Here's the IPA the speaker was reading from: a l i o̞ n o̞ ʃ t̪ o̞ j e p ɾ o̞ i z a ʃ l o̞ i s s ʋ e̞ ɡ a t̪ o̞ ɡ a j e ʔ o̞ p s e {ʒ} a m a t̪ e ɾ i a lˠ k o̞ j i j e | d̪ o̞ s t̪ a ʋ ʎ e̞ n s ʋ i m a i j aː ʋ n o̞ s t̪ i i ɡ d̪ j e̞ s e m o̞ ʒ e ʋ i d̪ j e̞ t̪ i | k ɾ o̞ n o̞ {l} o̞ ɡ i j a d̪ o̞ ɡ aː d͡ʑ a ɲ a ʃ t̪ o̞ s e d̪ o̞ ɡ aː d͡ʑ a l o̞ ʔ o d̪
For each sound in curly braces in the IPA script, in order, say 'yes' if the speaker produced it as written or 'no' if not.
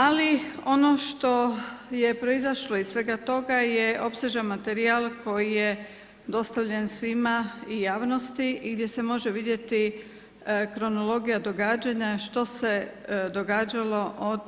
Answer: yes, yes

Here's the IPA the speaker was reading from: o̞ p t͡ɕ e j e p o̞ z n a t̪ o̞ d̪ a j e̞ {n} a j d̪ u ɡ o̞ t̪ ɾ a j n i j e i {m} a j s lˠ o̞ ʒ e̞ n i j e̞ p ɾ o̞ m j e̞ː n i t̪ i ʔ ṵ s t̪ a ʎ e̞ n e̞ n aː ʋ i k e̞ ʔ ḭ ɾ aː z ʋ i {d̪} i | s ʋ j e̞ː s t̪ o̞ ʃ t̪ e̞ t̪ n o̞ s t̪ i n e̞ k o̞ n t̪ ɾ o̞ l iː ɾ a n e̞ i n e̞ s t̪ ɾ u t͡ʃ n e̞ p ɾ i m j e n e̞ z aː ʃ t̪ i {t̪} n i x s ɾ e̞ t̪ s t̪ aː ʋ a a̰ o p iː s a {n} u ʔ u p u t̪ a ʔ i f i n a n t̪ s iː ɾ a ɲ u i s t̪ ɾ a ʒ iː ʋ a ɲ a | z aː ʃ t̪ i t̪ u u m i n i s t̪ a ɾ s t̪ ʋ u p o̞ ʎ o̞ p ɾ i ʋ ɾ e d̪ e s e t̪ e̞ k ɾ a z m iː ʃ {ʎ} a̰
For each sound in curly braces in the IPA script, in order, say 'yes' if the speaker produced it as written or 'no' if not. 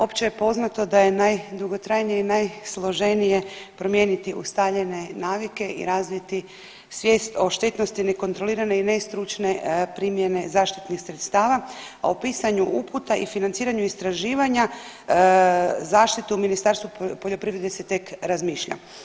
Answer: yes, no, no, yes, no, yes

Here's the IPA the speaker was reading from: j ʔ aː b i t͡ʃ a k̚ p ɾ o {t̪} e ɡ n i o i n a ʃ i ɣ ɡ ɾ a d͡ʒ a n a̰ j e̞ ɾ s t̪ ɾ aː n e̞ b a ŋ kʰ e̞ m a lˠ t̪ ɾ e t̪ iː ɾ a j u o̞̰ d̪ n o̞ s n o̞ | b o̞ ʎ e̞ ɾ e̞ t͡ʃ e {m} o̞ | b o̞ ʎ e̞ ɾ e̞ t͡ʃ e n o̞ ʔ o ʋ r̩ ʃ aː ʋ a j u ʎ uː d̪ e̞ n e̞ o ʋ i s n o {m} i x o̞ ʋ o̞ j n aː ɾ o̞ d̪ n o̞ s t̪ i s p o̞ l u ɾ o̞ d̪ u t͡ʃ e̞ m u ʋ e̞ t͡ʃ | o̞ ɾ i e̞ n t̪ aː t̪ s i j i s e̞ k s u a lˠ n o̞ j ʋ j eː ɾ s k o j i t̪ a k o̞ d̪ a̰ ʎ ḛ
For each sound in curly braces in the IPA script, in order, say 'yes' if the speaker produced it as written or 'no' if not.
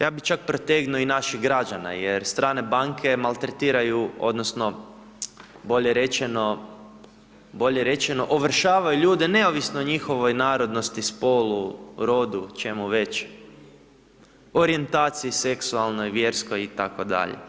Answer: yes, no, no

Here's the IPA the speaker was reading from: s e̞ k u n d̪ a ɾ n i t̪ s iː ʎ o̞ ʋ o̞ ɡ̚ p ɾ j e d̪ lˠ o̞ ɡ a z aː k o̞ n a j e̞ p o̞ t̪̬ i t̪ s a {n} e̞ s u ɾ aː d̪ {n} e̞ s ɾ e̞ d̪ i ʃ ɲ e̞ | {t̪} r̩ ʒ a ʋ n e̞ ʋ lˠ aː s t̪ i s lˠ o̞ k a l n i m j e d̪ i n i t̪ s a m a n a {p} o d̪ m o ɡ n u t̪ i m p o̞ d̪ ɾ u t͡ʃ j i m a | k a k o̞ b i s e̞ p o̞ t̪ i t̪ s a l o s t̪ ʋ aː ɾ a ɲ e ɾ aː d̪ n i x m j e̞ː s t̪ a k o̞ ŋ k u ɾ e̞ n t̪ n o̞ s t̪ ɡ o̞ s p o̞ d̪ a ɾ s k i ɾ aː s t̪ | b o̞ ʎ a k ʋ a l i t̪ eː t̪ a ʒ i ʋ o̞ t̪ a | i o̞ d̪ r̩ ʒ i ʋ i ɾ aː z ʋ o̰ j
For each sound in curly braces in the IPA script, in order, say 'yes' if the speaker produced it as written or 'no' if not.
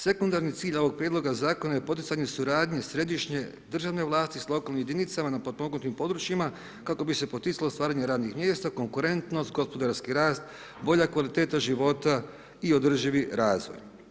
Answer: no, no, no, yes

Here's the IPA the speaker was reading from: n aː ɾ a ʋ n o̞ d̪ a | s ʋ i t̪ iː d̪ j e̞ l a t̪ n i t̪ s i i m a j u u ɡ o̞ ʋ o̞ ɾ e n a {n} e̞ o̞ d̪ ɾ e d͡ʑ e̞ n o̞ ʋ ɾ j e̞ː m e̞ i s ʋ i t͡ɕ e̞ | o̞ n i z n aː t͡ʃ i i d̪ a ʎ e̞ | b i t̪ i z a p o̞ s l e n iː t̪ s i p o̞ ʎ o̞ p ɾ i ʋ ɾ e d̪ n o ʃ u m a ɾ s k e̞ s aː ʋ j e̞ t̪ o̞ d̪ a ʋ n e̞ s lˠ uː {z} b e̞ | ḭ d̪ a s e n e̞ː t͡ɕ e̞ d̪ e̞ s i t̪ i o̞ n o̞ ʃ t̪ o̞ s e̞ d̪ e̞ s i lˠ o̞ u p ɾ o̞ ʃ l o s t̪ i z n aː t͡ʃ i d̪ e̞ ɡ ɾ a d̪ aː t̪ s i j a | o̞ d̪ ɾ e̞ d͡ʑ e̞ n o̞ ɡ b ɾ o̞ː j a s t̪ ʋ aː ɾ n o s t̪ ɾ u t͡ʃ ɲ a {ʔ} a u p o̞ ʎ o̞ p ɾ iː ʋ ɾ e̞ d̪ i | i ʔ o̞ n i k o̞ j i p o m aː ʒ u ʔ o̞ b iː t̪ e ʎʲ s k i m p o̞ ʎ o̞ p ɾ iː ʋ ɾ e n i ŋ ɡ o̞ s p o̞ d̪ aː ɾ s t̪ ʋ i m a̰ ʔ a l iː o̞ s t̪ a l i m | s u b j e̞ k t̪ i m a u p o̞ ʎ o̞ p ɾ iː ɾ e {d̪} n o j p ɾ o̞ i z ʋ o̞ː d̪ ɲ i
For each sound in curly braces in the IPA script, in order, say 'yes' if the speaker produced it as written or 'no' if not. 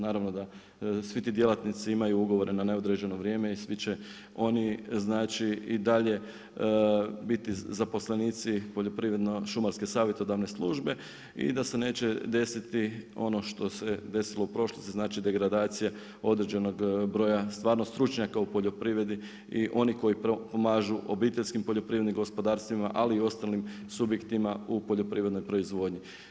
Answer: yes, no, no, yes

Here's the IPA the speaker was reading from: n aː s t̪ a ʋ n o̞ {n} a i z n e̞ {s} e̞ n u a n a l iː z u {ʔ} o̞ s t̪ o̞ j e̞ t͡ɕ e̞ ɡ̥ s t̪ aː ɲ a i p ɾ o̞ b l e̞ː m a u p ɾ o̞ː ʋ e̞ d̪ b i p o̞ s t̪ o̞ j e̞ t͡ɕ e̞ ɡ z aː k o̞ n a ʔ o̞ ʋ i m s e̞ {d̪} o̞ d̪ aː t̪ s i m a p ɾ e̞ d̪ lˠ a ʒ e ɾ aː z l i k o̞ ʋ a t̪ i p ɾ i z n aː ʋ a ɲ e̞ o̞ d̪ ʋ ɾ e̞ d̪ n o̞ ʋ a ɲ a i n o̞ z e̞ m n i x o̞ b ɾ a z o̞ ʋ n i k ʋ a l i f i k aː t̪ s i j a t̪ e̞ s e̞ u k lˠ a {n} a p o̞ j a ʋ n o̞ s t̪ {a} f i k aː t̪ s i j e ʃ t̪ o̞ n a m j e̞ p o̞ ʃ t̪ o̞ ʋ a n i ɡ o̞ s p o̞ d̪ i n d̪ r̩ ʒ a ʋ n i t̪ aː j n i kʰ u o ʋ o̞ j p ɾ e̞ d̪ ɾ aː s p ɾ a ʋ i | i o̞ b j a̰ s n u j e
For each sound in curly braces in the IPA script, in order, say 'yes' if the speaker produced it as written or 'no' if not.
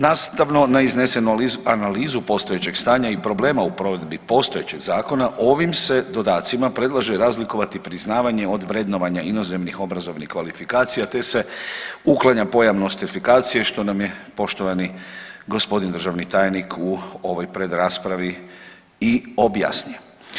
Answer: yes, yes, no, yes, no, no

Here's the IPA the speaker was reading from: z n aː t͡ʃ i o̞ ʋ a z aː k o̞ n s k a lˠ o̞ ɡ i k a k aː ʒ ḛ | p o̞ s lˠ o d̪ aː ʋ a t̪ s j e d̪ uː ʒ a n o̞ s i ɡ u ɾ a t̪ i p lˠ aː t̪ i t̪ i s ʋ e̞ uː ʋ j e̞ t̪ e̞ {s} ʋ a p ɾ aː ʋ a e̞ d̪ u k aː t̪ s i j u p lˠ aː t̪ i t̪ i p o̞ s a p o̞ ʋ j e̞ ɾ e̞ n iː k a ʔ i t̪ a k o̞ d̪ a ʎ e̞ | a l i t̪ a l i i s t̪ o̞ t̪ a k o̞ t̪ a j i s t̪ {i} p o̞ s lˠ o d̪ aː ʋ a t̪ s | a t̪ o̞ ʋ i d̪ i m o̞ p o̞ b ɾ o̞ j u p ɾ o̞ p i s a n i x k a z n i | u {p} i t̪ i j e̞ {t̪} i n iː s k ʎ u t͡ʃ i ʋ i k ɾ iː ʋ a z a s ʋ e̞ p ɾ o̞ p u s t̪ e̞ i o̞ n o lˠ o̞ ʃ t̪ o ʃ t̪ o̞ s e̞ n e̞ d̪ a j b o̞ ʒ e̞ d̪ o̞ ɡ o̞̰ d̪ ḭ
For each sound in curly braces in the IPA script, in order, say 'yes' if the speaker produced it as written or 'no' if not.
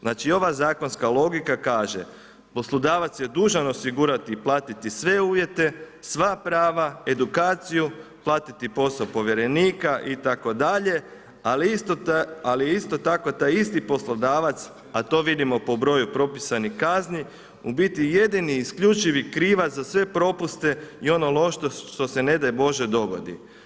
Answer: yes, yes, no, no

